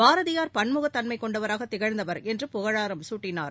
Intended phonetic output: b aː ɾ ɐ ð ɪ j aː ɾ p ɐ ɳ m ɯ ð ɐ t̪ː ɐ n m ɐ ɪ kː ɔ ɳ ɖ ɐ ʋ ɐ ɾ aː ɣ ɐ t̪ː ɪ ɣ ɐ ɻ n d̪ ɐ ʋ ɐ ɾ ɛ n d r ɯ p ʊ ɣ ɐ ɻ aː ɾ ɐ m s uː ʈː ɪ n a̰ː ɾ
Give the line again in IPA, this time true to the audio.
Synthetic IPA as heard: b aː ɾ ɐ ð ɪ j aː ɾ p ɐ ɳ m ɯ ɣ ɐ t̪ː ɐ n m ɐ ɪ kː ɔ ɳ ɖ ɐ ʋ ɐ ɾ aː ɣ ɐ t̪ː ɪ ɣ ɐ ɻ n d̪ ɐ ʋ ɐ ɾ ɛ n d r ɯ p ʊ ɣ ɐ ɻ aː ɾ ɐ m s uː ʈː ɪ n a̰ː ɾ

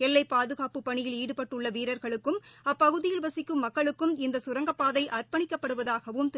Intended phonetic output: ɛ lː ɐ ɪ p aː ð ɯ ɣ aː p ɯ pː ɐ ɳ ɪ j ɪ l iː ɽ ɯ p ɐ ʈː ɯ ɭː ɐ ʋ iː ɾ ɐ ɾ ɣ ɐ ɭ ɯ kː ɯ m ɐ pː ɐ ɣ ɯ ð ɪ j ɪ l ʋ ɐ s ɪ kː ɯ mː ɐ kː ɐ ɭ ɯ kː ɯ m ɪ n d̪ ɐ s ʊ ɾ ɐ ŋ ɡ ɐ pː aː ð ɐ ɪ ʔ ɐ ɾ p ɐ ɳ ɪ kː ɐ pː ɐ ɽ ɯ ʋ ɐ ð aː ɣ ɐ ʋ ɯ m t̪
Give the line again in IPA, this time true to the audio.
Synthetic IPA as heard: ɛ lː ɐ ɪ p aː ð ɯ ɣ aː p ɯ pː ɐ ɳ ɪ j ɪ l iː ɽ ɯ p ɐ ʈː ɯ ɭː ɐ ʋ iː ɾ ɐ ɾ ɣ ɐ ɭ ɯ kː ɯ m ɐ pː ɐ ɣ ɯ ð ɪ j ɪ l ʋ ɐ s ɪ kː ɯ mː ɐ kː ɐ ɭ ɯ kː ɯ m ɪ n d̪ ɐ s ʊ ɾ ɐ ŋ ɡ ɐ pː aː ð ɐ ɪ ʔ ɐ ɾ p ɐ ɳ ɪ kː ɐ pː ɐ ɽ ɯ ʋ ɐ ð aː ɣ ɐ ʋ ɯ m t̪

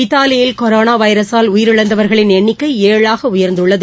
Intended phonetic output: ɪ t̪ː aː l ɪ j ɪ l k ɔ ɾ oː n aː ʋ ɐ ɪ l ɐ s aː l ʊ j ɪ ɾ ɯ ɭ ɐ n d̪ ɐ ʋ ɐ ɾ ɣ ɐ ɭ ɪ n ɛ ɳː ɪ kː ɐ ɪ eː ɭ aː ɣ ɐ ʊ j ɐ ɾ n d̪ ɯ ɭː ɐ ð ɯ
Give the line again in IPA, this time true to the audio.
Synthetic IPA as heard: ɪ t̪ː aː l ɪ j ɪ l k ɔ ɾ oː n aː ʋ ɐ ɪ ɾ ɐ s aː l ʊ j ɪ ɾ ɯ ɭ ɐ n d̪ ɐ ʋ ɐ ɾ ɣ ɐ ɭ ɪ n ɛ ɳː ɪ kː ɐ ɪ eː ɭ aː ɣ ɐ ʊ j ɐ ɾ n d̪ ɯ ɭː ɐ ð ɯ

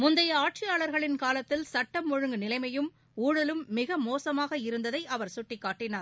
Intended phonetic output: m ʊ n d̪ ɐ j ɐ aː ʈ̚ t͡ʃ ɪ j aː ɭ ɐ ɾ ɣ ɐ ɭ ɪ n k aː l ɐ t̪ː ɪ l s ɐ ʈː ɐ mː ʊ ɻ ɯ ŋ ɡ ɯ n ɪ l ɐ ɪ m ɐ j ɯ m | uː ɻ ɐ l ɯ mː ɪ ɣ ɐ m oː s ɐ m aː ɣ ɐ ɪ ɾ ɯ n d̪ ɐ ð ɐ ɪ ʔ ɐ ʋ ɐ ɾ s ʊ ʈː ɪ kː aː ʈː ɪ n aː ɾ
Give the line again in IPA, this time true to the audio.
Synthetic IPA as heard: m ʊ n d̪ ɐ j ɐ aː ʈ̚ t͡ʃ ɪ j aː ɭ ɐ ɾ ɣ ɐ ɭ ɪ n k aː l ɐ t̪ː ɪ l s ɐ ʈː ɐ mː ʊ ɻ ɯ ŋ ɡ ɯ n ɪ l ɐ ɪ m ɐ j ɯ m | uː ɻ ɐ l ɯ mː ɪ ɣ ɐ m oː s ɐ m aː ɣ ɐ ɪ ɾ ɯ n d̪ ɐ ð ɐ ɪ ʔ ɐ ʋ ɐ ɾ s ʊ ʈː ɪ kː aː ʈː ɪ n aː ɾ

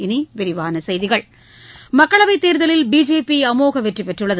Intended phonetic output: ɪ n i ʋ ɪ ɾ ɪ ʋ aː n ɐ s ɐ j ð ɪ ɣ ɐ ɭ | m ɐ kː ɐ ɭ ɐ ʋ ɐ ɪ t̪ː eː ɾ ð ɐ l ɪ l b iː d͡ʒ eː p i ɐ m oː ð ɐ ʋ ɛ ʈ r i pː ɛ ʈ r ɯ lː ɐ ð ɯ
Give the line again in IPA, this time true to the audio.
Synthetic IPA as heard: ɪ n i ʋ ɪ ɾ ɪ ʋ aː n ɐ s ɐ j ð ɪ ɣ ɐ ɭ | m ɐ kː ɐ ɭ ɐ ʋ ɐ ɪ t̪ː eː ɾ ð ɐ l ɪ l b iː d͡ʒ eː p i ɐ m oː ɣ ɐ ʋ ɛ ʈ r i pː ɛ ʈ r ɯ ɭː ɐ ð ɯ

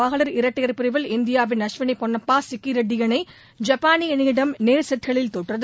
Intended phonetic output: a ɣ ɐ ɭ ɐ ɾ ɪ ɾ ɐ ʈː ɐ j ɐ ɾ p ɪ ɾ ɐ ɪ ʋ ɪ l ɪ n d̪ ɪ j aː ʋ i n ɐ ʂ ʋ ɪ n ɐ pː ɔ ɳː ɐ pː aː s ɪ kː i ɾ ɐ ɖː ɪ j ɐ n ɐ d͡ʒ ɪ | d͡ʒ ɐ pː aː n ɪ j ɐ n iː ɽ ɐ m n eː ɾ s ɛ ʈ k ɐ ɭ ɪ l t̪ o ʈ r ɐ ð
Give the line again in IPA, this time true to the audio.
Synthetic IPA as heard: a ɣ ɐ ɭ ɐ ɾ ɪ ɾ ɐ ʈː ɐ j ɐ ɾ p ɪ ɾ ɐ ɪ ʋ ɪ l ɪ n d̪ ɪ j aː ʋ ɪ n ɐ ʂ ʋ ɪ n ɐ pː ɔ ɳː ɐ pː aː s ɪ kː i ɾ ɐ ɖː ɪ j ɐ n ɐ ɪ | d͡ʒ ɐ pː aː n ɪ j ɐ n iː ɽ ɐ m n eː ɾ s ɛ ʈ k ɐ ɭ ɪ l t̪ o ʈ r ɐ ð

